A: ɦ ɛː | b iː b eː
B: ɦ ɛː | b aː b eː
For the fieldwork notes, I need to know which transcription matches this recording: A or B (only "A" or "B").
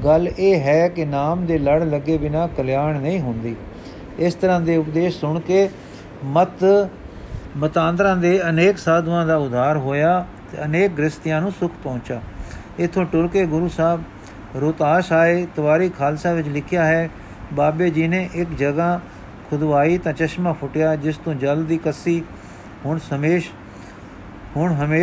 B